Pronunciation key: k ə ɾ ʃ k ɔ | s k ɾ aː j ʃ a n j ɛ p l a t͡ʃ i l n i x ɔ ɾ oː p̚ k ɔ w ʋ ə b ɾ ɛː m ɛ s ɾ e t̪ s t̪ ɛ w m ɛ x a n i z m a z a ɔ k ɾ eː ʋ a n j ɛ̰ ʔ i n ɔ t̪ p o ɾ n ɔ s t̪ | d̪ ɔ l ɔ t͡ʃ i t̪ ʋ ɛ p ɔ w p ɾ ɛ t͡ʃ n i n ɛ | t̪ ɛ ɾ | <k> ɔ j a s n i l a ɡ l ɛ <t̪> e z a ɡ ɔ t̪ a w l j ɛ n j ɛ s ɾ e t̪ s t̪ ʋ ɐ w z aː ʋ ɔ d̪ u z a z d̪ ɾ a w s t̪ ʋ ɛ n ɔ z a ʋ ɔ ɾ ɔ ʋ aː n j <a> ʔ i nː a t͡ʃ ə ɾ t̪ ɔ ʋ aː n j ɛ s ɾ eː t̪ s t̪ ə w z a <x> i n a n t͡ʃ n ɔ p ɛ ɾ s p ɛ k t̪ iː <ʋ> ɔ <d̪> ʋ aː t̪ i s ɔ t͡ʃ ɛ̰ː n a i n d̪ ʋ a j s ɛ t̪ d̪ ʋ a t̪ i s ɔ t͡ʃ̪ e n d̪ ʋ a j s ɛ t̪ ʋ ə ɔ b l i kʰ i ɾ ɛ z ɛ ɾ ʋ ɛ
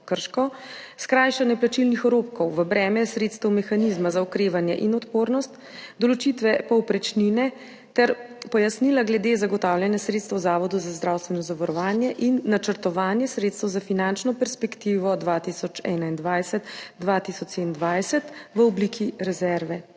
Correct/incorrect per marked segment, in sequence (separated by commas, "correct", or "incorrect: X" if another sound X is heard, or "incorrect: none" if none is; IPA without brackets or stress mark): incorrect: p, incorrect: d̪, incorrect: ɛ, incorrect: f, correct, correct